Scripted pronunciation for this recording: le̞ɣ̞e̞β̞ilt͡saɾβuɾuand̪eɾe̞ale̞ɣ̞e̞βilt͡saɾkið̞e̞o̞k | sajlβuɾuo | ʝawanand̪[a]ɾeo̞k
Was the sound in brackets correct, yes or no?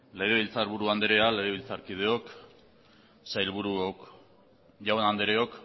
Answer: no